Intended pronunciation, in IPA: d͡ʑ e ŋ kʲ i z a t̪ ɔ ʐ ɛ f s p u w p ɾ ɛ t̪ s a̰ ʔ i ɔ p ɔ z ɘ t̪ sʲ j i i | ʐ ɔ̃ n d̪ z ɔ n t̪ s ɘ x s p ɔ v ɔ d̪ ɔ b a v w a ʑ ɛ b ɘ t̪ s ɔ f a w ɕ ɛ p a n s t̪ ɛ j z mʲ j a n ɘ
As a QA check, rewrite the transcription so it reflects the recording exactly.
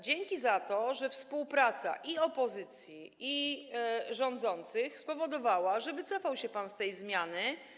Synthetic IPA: d͡ʑ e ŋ kʲ i z a t̪ ɔ ʐ ɛ f s p u w p ɾ a t̪ s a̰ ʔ i ɔ p ɔ z ɘ t̪ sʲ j i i | ʐ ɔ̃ n d̪ z ɔ n t̪ s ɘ x s p ɔ v ɔ d̪ ɔ v a w a ʐ ɛ b ɘ t̪ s ɔ f a w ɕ ɛ p a n s t̪ ɛ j z mʲ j a n ɘ